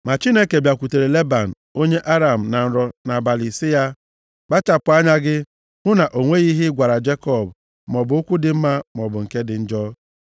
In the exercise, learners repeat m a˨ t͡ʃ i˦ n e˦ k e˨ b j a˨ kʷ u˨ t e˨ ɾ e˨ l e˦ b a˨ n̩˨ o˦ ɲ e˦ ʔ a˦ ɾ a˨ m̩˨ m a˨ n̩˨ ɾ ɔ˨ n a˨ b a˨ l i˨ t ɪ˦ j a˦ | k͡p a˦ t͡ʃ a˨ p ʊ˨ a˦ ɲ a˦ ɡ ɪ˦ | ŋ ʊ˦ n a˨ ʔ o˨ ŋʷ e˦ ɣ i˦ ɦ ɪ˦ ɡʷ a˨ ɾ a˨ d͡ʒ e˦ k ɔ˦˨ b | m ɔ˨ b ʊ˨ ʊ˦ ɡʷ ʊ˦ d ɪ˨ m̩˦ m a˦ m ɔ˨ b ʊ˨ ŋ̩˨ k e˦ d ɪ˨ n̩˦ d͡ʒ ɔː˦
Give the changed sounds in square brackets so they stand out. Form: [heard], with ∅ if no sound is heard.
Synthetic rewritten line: m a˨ t͡ʃ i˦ n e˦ k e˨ b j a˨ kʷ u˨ t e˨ ɾ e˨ l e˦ b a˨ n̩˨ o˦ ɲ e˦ ʔ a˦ ɾ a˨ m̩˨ [n] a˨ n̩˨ ɾ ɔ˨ n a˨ b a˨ l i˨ [s] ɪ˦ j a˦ | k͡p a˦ t͡ʃ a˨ p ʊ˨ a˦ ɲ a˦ ɡ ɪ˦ | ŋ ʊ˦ n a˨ ʔ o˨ ŋʷ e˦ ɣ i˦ ɦ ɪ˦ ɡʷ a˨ ɾ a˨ d͡ʒ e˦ k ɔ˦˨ b | m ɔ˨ b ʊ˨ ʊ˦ [kʷ] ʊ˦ d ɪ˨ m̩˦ m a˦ m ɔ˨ b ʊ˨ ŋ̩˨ k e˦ d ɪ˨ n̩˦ d͡ʒ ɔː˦

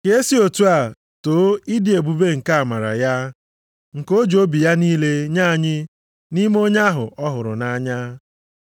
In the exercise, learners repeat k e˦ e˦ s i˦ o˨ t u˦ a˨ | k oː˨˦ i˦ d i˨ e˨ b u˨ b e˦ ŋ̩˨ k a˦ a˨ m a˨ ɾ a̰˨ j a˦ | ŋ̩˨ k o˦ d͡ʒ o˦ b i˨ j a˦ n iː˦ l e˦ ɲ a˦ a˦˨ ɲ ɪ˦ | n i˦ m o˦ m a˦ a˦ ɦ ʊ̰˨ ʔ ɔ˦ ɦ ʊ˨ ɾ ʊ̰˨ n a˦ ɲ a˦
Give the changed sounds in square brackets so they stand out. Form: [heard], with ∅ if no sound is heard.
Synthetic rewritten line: k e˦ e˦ s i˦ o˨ t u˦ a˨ | [t] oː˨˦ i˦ d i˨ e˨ b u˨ b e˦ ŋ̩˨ k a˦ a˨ m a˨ ɾ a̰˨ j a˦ | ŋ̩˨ k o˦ d͡ʒ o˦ b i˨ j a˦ n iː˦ l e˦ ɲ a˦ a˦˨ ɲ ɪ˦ | n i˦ m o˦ [ɲ] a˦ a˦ ɦ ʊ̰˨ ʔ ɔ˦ ɦ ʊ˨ ɾ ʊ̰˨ n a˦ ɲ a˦

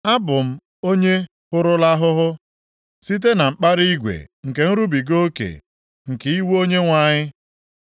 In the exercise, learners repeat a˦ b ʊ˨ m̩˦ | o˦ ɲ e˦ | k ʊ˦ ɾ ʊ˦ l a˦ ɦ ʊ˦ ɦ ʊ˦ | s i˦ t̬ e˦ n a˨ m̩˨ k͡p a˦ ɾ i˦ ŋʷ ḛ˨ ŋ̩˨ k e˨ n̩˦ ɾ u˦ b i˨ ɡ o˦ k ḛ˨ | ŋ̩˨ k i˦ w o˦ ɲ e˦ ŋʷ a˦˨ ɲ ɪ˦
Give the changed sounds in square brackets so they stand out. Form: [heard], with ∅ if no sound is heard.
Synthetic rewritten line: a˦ b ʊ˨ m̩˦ | o˦ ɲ e˦ | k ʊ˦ ɾ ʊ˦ l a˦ ɦ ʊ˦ ɦ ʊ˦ | s i˦ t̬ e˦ n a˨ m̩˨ k͡p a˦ ɾ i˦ [ɡʷ] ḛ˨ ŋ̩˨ k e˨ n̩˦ ɾ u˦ b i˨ ɡ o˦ k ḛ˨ | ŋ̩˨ k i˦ w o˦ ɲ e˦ ŋʷ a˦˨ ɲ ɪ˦

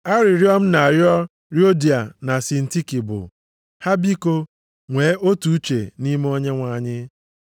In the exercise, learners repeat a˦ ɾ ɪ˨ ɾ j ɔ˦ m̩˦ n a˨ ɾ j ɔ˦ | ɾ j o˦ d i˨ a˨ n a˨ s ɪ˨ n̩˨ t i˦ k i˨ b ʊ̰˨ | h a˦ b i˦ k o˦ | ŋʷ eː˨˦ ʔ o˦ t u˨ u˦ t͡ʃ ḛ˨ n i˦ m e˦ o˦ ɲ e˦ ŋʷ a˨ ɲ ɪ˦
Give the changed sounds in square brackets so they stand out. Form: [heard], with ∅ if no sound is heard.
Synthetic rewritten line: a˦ ɾ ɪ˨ ɾ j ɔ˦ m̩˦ n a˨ ɾ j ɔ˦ | ɾ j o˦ d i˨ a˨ n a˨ s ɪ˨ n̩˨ t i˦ k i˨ b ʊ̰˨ | h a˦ b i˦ k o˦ | ŋʷ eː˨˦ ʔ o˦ t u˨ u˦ t͡ʃ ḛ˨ n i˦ m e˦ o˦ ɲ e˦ ŋʷ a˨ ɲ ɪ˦

